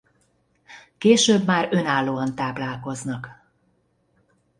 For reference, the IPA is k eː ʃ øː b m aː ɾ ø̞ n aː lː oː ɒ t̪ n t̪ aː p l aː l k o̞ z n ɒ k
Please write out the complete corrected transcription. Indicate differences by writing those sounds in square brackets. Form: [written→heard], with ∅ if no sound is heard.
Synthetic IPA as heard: k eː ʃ øː b m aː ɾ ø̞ n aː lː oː ɒ [t̪→∅] n t̪ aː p l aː l k o̞ z n ɒ k